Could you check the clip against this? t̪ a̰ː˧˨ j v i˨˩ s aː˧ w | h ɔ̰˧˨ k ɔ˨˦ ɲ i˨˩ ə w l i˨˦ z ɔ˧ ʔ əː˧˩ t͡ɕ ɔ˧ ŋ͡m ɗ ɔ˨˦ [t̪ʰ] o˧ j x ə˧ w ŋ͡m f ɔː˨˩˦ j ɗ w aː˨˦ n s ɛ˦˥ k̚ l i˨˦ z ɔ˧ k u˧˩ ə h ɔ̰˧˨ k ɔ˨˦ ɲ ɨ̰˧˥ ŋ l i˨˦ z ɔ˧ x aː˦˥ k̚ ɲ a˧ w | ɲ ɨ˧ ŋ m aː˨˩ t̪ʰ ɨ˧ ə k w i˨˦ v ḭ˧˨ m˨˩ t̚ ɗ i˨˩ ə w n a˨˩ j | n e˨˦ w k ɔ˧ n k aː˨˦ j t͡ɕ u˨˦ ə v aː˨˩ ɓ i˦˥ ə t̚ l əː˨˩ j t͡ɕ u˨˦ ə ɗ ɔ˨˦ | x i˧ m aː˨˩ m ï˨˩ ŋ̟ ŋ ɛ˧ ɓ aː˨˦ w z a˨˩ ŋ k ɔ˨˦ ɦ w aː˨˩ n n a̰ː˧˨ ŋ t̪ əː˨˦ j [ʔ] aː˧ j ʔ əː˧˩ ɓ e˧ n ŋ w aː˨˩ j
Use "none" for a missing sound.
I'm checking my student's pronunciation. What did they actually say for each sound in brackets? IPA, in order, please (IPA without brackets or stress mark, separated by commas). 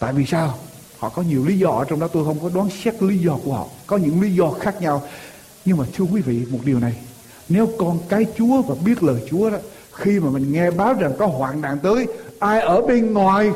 t̪, ʔ